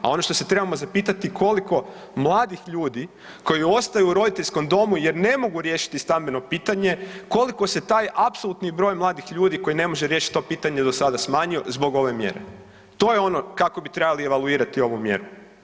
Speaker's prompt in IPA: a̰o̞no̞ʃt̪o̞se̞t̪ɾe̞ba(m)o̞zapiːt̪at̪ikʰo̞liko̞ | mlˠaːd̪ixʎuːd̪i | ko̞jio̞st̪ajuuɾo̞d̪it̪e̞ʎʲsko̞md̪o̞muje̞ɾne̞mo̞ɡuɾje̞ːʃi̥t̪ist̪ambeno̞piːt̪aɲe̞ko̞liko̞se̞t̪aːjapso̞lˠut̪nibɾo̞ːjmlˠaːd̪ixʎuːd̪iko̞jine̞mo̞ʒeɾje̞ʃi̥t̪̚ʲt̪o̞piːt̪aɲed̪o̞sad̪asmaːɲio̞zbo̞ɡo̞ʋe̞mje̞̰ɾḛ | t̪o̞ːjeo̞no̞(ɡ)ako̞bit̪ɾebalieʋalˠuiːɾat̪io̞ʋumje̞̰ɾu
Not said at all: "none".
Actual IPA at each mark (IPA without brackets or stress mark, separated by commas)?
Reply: m, k